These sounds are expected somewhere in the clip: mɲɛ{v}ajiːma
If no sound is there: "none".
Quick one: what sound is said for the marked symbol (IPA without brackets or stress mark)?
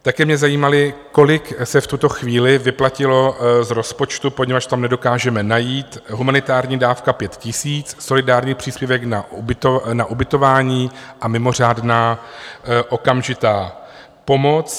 z